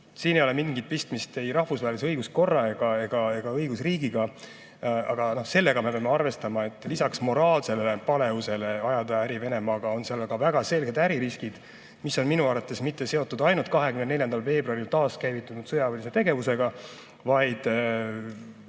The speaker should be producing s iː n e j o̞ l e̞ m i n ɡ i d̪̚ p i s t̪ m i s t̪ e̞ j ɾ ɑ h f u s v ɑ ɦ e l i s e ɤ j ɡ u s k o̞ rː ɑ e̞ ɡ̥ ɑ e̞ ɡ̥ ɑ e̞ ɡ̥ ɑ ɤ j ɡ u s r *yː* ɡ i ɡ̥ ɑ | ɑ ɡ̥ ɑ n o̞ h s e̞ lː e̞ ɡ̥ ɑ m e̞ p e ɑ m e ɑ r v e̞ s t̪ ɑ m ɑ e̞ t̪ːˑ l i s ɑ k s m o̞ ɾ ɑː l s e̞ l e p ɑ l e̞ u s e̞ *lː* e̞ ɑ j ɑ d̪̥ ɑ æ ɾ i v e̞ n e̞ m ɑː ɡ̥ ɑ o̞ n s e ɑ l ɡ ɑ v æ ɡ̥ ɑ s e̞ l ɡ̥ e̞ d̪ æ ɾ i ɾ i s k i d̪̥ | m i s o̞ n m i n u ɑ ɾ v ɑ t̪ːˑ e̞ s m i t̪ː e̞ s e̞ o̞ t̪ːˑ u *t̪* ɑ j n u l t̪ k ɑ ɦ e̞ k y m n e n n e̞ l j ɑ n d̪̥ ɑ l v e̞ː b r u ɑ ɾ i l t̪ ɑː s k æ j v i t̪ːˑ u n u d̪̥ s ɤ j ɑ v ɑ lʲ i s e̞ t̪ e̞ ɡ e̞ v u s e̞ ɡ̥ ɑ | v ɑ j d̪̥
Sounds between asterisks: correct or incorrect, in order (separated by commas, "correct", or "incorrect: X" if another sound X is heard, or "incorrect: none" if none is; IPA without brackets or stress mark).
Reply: incorrect: iː, incorrect: l, incorrect: d̪